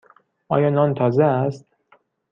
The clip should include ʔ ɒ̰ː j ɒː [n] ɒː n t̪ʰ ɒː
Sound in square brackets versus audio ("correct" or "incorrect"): correct